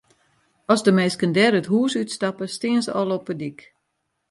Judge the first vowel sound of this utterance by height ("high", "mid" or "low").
mid